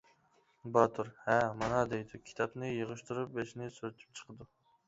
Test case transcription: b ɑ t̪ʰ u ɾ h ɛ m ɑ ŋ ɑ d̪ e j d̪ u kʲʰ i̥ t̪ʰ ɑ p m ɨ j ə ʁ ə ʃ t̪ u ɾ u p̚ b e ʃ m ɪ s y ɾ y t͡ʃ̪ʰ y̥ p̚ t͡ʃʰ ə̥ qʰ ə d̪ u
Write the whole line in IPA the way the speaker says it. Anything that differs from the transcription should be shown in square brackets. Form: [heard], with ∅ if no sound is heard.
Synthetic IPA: b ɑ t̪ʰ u ɾ h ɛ m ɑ [n] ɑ d̪ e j d̪ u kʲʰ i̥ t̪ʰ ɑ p [n] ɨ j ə ʁ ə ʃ t̪ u ɾ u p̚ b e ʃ [n] ɪ s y ɾ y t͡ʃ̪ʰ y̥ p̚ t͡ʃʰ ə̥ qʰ ə d̪ u